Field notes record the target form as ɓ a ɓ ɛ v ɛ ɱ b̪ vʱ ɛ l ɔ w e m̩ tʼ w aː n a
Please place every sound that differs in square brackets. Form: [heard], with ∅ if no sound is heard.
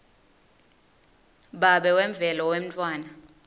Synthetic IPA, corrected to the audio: ɓ a ɓ ɛ [w] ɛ ɱ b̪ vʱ ɛ l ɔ w e m̩ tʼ w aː n a